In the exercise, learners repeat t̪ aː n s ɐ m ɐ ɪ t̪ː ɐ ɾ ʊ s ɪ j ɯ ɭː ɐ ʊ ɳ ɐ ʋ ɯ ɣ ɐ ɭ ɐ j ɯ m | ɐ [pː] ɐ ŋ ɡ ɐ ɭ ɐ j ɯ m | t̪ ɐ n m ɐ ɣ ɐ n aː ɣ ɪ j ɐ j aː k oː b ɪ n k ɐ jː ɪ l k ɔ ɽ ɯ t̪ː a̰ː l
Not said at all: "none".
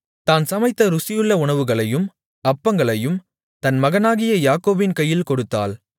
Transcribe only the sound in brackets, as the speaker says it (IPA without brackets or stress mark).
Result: pː